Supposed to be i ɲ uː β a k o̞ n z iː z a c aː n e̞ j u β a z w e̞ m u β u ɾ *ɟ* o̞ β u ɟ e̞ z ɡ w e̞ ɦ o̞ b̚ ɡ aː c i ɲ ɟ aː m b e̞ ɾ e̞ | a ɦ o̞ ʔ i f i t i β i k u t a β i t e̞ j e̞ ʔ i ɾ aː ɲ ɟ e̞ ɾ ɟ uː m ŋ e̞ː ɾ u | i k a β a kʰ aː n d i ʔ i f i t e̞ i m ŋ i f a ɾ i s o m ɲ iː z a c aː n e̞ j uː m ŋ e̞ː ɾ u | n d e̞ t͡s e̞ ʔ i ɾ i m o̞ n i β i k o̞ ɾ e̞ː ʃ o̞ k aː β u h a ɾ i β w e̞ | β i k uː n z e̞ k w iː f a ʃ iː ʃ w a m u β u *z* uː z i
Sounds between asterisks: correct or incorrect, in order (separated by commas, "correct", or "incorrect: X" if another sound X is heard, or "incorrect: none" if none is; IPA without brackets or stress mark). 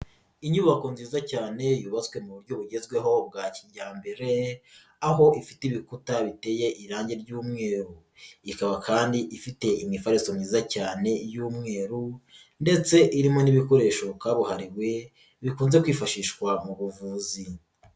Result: correct, incorrect: v